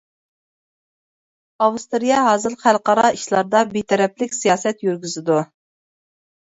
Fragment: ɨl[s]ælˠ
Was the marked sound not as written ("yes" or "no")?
yes